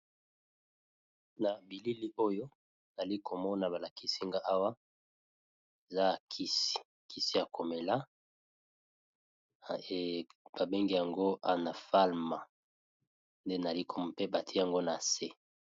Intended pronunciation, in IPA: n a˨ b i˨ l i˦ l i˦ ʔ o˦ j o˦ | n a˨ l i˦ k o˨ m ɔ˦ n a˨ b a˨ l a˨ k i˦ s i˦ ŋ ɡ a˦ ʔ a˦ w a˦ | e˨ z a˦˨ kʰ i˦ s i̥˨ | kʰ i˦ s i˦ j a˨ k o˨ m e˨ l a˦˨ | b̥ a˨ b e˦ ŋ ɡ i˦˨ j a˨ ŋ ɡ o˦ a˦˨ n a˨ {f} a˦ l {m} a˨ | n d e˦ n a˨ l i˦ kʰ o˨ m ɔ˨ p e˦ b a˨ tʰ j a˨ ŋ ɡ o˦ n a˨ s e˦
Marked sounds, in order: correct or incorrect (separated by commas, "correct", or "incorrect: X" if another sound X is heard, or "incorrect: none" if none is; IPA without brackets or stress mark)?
correct, correct